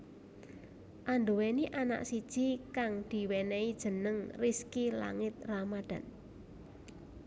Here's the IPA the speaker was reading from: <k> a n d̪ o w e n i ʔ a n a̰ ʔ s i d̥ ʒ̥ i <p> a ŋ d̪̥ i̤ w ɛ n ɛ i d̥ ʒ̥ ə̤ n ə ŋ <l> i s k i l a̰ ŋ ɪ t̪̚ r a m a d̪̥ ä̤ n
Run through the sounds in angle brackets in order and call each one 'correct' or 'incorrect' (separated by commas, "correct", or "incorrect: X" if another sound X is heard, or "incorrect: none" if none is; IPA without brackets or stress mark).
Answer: incorrect: ʔ, incorrect: k, incorrect: r